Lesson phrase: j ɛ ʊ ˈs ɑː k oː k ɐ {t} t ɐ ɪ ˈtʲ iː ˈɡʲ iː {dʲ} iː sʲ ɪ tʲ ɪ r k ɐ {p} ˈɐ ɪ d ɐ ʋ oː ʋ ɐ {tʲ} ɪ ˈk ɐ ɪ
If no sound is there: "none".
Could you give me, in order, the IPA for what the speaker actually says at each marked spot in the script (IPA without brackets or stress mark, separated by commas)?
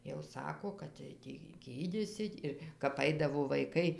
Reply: t, dʲ, p, none